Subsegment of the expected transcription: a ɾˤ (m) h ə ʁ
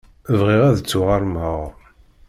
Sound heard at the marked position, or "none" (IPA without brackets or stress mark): m